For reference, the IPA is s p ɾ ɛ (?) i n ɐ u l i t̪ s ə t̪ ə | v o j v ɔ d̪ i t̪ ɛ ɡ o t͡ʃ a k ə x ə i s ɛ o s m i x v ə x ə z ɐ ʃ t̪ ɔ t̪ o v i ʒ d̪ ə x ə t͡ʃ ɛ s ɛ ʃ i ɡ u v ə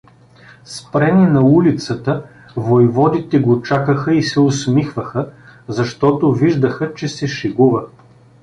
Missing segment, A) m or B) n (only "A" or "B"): B